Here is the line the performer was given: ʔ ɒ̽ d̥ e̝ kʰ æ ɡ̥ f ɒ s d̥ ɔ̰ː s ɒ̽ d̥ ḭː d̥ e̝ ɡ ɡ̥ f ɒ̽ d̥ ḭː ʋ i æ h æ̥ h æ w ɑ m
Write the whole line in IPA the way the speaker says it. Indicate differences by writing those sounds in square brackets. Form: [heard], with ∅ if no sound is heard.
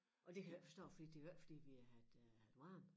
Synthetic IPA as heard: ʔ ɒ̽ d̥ e̝ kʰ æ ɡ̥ f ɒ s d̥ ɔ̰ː [f] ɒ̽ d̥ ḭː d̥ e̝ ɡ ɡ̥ f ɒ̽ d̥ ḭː ʋ i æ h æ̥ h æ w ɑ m